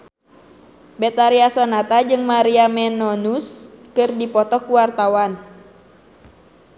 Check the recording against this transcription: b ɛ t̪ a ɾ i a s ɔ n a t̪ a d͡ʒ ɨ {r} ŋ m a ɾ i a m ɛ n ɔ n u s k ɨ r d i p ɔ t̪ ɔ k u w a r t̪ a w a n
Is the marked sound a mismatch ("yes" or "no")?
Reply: yes